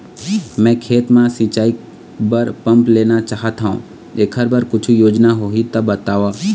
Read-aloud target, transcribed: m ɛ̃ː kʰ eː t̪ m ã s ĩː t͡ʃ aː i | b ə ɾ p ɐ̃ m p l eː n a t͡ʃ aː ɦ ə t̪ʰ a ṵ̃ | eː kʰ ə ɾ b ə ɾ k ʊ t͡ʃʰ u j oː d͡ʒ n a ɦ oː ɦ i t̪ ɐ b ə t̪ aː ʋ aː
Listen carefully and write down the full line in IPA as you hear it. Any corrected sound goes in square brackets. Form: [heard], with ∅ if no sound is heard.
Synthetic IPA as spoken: m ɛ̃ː kʰ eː t̪ m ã s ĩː t͡ʃ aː i | b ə ɾ p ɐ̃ m p l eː n a t͡ʃ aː ɦ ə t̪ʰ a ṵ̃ | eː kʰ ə ɾ b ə ɾ k ʊ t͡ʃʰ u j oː d͡ʒ n a ɦ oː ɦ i t̪ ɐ b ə t̪ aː ʋ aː